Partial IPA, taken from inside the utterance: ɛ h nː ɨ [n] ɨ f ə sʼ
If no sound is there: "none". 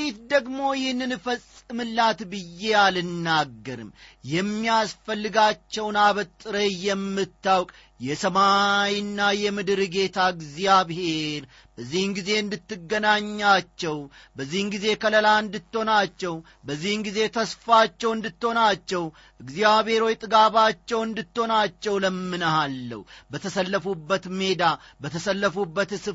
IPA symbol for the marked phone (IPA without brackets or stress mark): n